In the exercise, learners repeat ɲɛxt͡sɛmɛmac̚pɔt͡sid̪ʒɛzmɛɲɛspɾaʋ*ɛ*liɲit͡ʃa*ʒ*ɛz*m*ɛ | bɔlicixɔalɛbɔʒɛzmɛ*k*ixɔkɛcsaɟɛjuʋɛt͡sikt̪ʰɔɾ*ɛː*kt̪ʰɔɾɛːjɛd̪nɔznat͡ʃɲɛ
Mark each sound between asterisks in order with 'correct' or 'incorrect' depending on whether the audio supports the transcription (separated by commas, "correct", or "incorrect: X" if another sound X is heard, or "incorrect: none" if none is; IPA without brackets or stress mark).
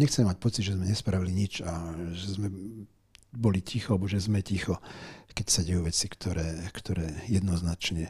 incorrect: i, correct, correct, incorrect: c, correct